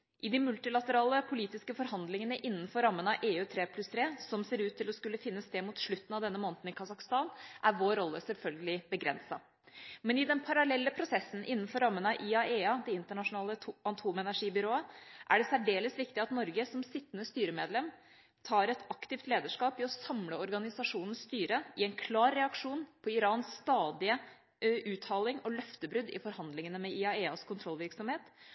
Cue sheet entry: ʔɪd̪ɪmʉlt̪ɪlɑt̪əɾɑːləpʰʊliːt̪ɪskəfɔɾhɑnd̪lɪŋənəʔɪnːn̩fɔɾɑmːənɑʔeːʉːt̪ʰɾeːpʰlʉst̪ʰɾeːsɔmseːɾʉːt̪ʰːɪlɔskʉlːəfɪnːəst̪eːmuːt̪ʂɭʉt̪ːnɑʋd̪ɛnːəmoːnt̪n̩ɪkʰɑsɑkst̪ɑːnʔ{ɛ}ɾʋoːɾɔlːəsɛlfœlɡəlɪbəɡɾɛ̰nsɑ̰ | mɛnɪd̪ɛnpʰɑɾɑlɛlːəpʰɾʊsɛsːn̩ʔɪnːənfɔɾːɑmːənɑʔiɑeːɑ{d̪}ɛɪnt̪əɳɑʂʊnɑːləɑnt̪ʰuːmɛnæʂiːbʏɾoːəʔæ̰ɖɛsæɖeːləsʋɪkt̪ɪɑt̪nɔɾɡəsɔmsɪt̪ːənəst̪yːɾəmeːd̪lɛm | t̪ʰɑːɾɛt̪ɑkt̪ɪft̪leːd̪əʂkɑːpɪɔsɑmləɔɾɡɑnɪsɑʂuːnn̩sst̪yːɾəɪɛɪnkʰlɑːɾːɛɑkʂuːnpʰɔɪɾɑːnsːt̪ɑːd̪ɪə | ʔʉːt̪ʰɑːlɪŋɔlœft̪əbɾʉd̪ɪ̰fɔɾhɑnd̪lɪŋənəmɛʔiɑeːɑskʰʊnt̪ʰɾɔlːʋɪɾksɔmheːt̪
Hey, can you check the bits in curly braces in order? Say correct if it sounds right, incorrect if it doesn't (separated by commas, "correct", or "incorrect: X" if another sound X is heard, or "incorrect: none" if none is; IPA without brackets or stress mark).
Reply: incorrect: æ, correct